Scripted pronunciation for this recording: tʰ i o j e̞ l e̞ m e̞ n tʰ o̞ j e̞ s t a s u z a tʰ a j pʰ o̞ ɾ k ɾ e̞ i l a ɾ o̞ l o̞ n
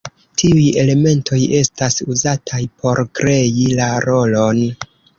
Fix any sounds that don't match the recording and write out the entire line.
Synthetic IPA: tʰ i u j e̞ l e̞ m e̞ n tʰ o̞ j e̞ s t a s u z a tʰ a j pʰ o̞ ɾ k ɾ e̞ i l a ɾ o̞ l o̞ n